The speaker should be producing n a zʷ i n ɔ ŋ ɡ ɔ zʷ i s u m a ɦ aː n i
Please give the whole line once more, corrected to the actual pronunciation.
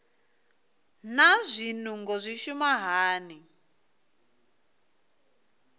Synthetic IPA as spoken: n a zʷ i n u ŋ ɡ ɔ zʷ i ʃ u m a ɦ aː n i